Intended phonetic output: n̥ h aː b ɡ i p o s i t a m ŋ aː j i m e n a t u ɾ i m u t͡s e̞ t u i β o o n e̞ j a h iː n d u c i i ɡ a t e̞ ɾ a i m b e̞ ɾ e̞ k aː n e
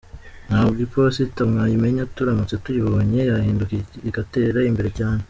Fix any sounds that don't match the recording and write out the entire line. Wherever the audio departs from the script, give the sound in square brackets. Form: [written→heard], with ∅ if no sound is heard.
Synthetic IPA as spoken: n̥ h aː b ɡ i p o s i t a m ŋ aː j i m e [n→ɲ] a t u ɾ [i→a] m u t͡s e̞ t u i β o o [n→ɲ] e̞ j a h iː n d u [c→k] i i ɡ a t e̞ ɾ a i m b e̞ ɾ e̞ [k→c] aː n e